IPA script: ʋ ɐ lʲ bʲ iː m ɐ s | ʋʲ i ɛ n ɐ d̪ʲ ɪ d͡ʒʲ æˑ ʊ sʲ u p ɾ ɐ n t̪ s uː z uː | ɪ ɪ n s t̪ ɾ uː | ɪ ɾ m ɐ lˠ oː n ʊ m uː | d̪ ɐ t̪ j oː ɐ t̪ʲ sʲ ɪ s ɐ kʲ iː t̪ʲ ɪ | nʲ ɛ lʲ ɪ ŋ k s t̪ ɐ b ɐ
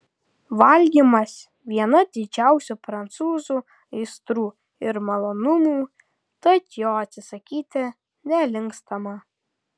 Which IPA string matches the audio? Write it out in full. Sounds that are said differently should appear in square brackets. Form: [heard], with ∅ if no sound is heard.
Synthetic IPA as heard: ʋ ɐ lʲ [ɡʲ] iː m ɐ s | ʋʲ i ɛ n ɐ d̪ʲ ɪ d͡ʒʲ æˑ ʊ sʲ u p ɾ ɐ n t̪ s uː z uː | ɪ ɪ [∅] s t̪ ɾ uː | ɪ ɾ m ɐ lˠ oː n ʊ m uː | [t̪] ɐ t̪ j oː ɐ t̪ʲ sʲ ɪ s ɐ kʲ iː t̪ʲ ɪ | nʲ ɛ lʲ ɪ ŋ k s t̪ ɐ [m] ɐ